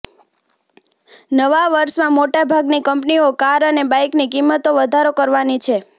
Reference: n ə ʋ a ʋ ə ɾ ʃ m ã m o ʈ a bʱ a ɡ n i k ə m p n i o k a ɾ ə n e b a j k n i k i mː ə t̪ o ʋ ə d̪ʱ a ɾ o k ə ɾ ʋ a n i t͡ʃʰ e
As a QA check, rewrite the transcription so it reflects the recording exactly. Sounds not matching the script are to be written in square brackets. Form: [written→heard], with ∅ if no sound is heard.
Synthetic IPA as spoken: n ə ʋ a ʋ ə ɾ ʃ m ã m o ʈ a bʱ a ɡ n i k ə m p n i o k a ɾ ə n e b a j k n i k i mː ə t̪ o ʋ ə d̪ʱ a ɾ o k ə ɾ ʋ a n i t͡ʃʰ e

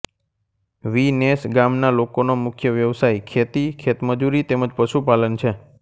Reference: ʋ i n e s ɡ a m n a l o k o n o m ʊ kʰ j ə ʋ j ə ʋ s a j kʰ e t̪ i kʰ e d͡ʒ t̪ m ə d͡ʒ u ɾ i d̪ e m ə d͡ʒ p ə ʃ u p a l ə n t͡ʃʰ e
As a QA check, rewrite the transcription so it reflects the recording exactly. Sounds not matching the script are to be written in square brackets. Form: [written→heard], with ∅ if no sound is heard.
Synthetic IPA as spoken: ʋ i n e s ɡ a m n a l o k o n o m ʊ kʰ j ə ʋ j ə ʋ s a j kʰ e t̪ i kʰ e [d͡ʒ→∅] t̪ m ə d͡ʒ u ɾ i [d̪→t̪] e m ə d͡ʒ p ə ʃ u p a l ə n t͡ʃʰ e

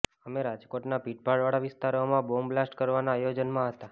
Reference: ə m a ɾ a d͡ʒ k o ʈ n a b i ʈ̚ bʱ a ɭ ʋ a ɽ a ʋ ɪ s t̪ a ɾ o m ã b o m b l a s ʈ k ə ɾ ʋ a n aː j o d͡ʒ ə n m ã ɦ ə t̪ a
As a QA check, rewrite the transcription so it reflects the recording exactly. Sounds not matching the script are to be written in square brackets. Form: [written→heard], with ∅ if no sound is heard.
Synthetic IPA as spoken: ə m [a→e] ɾ a d͡ʒ k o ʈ n a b i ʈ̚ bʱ a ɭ ʋ a ɽ a ʋ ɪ s t̪ a ɾ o m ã b o m b l a s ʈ k ə ɾ ʋ a n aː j o d͡ʒ ə n m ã ɦ ə t̪ a

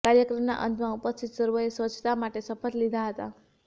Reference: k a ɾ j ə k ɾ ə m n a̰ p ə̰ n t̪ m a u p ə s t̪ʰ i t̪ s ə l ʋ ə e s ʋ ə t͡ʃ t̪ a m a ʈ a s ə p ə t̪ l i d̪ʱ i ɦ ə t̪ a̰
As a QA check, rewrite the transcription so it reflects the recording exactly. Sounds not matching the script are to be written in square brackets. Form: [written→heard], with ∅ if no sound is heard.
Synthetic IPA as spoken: k a ɾ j ə k ɾ ə m n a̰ [p→ʔ] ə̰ n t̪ m a u p ə s t̪ʰ i t̪ s ə [l→ɾ] ʋ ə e s ʋ ə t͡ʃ t̪ a m a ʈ [a→e] s ə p ə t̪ l i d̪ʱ [i→a] ɦ ə t̪ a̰

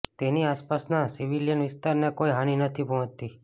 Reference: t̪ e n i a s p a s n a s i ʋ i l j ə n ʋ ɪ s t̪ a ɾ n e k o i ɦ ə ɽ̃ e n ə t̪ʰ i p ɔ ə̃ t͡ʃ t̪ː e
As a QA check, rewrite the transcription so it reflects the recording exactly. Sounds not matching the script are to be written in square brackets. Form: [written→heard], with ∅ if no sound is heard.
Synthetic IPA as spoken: t̪ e n i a s p a s n a s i ʋ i l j ə n ʋ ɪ s t̪ a ɾ n e k o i ɦ [ə→a] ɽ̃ [e→i] n ə t̪ʰ i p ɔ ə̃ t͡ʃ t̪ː [e→i]

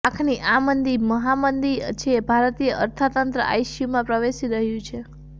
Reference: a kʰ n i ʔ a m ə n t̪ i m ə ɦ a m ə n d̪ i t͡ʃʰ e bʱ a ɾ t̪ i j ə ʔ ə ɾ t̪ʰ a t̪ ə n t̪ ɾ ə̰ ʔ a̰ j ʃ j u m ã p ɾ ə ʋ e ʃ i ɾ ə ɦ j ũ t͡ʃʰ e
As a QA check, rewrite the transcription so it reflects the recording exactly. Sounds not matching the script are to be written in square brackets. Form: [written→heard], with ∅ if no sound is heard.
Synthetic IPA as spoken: a kʰ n i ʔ a m ə n [t̪→d̪] i m ə ɦ a m ə n d̪ i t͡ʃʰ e bʱ a ɾ t̪ i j ə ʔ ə ɾ t̪ʰ a t̪ ə n t̪ ɾ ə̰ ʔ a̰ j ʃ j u m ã p ɾ ə ʋ e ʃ i ɾ ə ɦ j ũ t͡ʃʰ e

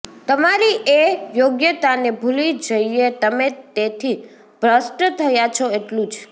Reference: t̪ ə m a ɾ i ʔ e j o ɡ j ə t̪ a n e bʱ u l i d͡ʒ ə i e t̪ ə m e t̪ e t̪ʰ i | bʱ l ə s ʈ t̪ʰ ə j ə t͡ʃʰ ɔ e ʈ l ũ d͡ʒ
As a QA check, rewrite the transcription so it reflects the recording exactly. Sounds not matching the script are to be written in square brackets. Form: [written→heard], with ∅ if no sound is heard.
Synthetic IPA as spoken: t̪ ə m a ɾ i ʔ e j o ɡ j ə t̪ a n e bʱ u l i d͡ʒ ə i e t̪ ə m e t̪ e t̪ʰ i | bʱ [l→ɾ] ə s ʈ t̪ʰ ə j [ə→a] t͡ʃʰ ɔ e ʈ l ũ d͡ʒ

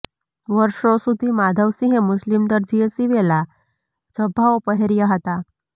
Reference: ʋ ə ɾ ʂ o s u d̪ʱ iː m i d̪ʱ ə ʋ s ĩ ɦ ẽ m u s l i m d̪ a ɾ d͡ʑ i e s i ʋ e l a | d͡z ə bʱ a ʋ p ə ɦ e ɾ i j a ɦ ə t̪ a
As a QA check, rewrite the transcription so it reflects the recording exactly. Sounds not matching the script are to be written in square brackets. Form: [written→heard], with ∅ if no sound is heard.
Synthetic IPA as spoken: ʋ ə ɾ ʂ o s u d̪ʱ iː m [i→a] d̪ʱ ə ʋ s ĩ ɦ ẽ m u s l i m d̪ [a→ə] ɾ d͡ʑ i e s i ʋ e l a | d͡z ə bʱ a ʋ p ə ɦ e ɾ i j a ɦ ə t̪ a

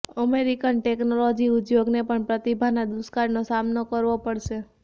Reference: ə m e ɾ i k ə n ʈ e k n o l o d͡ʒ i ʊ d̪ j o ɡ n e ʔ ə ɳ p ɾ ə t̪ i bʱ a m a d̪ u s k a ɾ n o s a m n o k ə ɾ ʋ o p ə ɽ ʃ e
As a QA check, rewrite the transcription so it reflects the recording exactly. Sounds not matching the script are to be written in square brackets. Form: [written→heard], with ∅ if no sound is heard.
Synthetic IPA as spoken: ə m e ɾ i k ə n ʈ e k n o l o d͡ʒ i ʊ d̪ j o ɡ n e [ʔ→p] ə ɳ p ɾ ə t̪ i bʱ a [m→n] a d̪ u s k a ɾ n o s a m n o k ə ɾ ʋ o p ə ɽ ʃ e

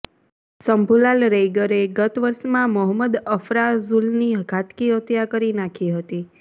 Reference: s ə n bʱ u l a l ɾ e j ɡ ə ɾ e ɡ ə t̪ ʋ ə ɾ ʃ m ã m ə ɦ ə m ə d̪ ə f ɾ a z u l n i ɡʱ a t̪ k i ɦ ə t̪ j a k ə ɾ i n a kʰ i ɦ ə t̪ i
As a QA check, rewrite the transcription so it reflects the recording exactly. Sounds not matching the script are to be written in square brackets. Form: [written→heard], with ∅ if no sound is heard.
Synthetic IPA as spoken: s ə [n→m] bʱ u l a l ɾ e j ɡ ə ɾ e ɡ ə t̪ ʋ ə ɾ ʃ m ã m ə ɦ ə m ə d̪ ə f ɾ a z u l n i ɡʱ a t̪ k i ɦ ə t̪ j a k ə ɾ i n a kʰ i ɦ ə t̪ i

